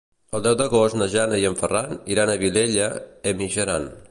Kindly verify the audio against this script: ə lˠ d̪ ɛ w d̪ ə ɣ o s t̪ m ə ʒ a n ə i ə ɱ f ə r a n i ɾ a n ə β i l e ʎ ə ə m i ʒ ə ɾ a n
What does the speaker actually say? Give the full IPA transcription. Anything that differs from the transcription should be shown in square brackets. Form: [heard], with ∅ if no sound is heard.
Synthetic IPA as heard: ə lˠ d̪ ɛ w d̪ ə ɣ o s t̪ [n] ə ʒ a n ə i ə ɱ f ə r a n i ɾ a n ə β i l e ʎ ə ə m i ʒ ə ɾ a n